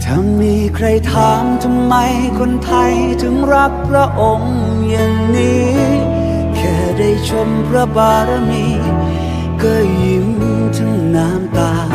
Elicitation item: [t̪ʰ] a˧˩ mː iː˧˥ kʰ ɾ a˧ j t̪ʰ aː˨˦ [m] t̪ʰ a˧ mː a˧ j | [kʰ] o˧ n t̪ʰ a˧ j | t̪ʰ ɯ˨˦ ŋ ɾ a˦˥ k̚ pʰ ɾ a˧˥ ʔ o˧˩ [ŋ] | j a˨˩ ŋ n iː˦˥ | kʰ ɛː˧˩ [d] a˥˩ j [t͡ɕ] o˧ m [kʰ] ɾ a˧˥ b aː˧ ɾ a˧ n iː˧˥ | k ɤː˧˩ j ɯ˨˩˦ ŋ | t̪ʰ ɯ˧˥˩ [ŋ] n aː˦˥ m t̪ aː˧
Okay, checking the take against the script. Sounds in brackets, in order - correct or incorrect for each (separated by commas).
correct, correct, correct, correct, correct, incorrect, incorrect, correct